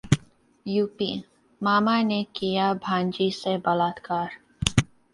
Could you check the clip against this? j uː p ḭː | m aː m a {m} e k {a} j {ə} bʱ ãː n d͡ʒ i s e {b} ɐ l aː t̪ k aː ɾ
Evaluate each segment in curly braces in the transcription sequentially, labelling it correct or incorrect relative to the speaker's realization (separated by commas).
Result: incorrect, incorrect, incorrect, correct